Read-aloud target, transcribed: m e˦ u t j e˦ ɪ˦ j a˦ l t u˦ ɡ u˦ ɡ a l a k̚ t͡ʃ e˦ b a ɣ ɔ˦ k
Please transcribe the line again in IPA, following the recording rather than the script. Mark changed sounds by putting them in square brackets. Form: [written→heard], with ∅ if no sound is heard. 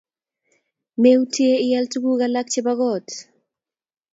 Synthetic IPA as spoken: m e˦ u t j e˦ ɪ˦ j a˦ l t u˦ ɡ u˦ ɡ a l a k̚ t͡ʃ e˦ b a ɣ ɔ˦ [k→t]